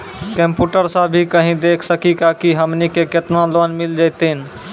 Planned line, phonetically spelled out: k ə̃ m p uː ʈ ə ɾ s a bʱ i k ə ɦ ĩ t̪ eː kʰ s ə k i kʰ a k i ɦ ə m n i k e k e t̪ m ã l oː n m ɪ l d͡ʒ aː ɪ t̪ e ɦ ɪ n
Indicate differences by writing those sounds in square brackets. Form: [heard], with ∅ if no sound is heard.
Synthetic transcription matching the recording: k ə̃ m p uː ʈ ə ɾ s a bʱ i k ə ɦ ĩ [d̪] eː kʰ s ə k i [k] a k i ɦ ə m n i k e k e t̪ [n] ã l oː n m ɪ l d͡ʒ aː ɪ t̪ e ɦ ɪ n